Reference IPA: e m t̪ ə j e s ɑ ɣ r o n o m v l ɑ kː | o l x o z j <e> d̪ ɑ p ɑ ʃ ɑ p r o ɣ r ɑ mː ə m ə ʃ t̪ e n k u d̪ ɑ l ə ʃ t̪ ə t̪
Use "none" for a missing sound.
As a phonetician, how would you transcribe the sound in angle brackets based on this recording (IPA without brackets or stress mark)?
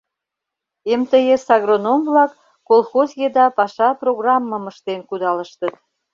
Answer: e